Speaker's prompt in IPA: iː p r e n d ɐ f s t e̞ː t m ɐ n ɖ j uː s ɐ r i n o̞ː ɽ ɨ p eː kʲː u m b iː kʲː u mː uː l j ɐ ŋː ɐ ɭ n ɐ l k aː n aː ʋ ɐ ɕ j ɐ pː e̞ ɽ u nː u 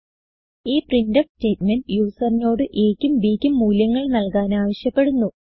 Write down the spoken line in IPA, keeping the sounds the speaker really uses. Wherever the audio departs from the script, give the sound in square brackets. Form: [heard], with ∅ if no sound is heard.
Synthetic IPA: iː p r [i] n d ɐ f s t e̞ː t m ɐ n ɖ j uː s ɐ r i n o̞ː ɽ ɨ [ʔ] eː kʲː u m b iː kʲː u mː uː l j ɐ ŋː ɐ ɭ n ɐ l k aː n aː ʋ ɐ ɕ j ɐ pː e̞ ɽ u nː u